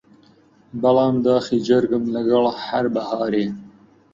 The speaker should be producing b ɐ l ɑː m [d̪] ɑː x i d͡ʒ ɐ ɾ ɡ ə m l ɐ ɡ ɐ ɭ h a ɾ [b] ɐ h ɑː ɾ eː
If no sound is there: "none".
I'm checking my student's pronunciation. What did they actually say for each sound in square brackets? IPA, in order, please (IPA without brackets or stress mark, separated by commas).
d̪, b